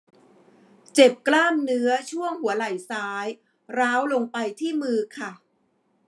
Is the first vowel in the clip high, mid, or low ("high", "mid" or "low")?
mid